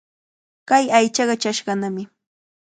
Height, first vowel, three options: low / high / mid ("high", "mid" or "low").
low